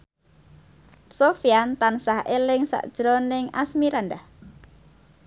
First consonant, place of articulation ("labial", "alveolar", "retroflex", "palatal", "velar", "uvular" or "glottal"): alveolar